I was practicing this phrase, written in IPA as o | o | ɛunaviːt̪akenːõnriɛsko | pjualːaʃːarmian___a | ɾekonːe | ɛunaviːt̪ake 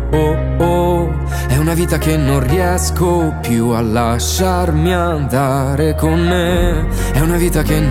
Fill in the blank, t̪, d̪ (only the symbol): d̪